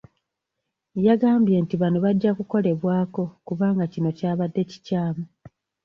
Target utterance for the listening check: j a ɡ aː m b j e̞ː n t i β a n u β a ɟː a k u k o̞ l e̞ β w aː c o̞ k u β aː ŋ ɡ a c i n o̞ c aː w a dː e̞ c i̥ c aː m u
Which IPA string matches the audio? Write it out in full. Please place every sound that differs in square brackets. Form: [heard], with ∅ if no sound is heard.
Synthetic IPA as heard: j a ɡ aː m b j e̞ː n t i β a n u β a ɟː a k u k o̞ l e̞ β w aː [k] o̞ k u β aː ŋ ɡ a c i n o̞ c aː [β] a dː e̞ c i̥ c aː m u